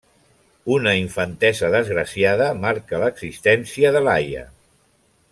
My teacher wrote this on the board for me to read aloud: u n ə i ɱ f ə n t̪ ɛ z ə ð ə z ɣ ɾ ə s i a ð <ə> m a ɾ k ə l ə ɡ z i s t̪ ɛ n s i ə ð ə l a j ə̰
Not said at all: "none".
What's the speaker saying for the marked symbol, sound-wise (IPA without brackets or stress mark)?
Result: ə